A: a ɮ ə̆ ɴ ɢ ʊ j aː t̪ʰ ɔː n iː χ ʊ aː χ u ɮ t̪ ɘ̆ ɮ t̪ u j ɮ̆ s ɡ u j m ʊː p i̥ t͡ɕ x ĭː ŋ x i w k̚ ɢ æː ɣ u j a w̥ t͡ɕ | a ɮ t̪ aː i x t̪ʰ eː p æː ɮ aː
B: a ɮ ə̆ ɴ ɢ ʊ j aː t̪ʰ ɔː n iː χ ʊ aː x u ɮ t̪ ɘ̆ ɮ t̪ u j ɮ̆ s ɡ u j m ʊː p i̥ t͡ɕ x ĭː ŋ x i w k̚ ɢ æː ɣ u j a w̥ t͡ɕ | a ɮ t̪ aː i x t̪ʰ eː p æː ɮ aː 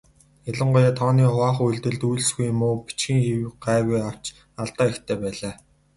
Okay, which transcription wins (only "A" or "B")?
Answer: A